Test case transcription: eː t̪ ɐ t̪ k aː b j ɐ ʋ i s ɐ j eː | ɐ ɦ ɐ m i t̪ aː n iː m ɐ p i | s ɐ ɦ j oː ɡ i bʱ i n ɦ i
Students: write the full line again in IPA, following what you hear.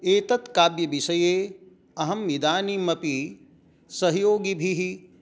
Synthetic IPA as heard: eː t̪ ɐ t̪ k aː b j ɐ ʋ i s ɐ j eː | ɐ ɦ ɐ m i d̪ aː n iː m ɐ p i | s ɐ ɦ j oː ɡ i bʱ i ɦ i

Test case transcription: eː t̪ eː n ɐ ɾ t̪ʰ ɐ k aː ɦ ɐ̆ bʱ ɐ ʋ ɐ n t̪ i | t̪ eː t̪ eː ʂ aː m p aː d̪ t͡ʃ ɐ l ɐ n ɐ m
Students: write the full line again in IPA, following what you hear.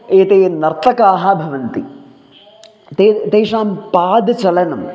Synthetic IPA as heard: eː t̪ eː n ɐ ɾ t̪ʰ ɐ k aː ɦ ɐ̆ bʱ ɐ ʋ ɐ n t̪ i | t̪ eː t̪ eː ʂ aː m p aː d̪ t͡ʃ ɐ l ɐ n ɐ m

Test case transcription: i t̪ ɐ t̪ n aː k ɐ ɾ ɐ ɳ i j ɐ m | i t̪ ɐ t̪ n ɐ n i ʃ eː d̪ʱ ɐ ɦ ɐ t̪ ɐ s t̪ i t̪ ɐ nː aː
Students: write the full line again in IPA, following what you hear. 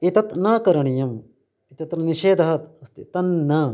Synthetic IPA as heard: i t̪ ɐ t̪ n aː k ɐ ɾ ɐ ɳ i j ɐ m | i t̪ ɐ t̪ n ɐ n i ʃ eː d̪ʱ ɐ ɦ ɐ t̪ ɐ s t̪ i t̪ ɐ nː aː

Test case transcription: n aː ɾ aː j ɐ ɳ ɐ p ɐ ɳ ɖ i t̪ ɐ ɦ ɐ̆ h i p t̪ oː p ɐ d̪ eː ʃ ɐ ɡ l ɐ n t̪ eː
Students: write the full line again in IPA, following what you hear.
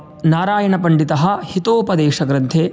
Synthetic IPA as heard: n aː ɾ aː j ɐ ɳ ɐ p ɐ ɳ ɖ i t̪ ɐ ɦ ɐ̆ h i t̪ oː p ɐ d̪ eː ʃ ɐ ɡ ɾ ɐ n t̪ʰ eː

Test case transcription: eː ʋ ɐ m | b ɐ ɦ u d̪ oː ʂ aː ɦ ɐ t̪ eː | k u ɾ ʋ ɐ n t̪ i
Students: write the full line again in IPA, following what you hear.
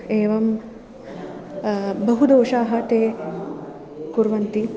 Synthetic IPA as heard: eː ʋ ɐ m | b ɐ ɦ u d̪ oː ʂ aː ɦ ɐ t̪ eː | k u ɾ ʋ ɐ n t̪ i

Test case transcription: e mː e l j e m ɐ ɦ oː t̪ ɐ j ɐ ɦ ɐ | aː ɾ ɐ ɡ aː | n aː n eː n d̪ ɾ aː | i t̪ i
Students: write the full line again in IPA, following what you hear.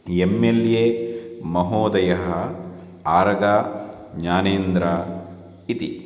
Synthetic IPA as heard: e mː e l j e m ɐ ɦ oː d̪ ɐ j ɐ ɦ ɐ | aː ɾ ɐ ɡ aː | ɲ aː n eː n d̪ ɾ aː | i t̪ i

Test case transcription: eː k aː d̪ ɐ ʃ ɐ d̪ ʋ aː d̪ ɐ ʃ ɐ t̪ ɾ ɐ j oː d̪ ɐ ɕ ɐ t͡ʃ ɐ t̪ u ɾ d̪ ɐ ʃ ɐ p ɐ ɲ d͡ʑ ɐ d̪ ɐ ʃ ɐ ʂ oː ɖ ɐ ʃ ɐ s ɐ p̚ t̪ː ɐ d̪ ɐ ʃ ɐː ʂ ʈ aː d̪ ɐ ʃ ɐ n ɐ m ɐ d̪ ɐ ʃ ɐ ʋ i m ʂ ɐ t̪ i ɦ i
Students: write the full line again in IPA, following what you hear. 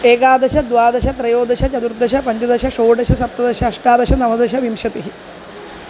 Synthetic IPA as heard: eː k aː d̪ ɐ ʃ ɐ d̪ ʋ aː d̪ ɐ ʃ ɐ t̪ ɾ ɐ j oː d̪ ɐ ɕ ɐ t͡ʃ ɐ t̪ u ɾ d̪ ɐ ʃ ɐ p ɐ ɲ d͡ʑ ɐ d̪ ɐ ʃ ɐ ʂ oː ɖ ɐ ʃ ɐ s ɐ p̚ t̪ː ɐ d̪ ɐ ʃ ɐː ʂ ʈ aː d̪ ɐ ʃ ɐ n ɐ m ɐ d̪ ɐ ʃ ɐ ʋ i m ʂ ɐ t̪ i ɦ i

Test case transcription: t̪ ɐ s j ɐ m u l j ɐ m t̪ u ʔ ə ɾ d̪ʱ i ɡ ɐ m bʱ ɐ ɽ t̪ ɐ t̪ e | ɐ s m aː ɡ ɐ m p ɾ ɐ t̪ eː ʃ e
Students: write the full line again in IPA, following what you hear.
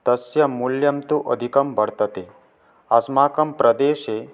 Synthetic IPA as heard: t̪ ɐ s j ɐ m u l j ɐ m t̪ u ʔ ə d̪ʱ i k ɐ m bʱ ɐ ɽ t̪ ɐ t̪ e | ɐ s m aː k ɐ m p ɾ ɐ d̪ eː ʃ e

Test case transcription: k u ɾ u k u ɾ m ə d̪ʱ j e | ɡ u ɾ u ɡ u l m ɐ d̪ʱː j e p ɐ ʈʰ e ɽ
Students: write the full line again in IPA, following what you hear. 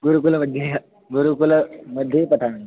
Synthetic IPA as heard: ɡ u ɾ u k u l m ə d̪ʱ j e | ɡ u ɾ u k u l m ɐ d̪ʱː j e p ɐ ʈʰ a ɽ

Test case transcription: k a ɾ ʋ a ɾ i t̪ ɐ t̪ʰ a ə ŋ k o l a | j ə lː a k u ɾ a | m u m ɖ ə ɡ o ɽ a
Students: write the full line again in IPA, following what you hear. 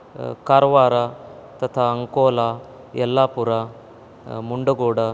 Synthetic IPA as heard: k a ɾ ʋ a ɾ a t̪ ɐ t̪ʰ a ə ŋ k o l a | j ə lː a p u ɾ a | m u ɳ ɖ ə ɡ o ɽ a

